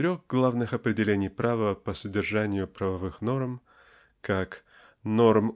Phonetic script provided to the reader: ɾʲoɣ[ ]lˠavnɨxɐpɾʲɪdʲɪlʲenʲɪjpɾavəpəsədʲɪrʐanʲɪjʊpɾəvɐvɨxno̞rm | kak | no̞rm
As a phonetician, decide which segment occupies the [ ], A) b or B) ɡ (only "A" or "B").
B